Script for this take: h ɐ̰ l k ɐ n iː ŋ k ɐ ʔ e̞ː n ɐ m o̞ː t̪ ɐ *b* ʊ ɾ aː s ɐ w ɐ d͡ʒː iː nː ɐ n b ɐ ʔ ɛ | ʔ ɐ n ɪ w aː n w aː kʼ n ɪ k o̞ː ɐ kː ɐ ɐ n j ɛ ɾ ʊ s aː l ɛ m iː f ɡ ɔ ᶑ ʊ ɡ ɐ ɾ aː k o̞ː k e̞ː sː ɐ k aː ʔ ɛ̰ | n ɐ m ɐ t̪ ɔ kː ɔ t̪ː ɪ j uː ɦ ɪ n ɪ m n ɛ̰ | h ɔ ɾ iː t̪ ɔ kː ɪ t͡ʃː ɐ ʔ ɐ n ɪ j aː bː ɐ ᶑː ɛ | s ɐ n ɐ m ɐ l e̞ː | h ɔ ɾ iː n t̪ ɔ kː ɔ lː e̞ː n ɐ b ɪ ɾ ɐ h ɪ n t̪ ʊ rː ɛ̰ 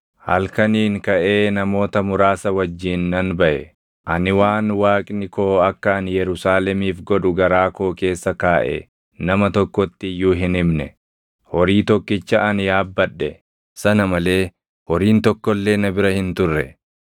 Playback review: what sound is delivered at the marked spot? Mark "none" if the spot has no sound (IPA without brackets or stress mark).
m